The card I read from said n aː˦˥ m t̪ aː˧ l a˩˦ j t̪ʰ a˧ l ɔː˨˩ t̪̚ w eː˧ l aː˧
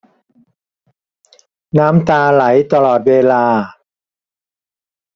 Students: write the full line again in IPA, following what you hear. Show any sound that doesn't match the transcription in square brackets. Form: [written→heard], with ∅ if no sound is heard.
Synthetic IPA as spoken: n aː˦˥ m t̪ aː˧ l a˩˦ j [t̪ʰ→t̪] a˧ l ɔː˨˩ t̪̚ w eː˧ l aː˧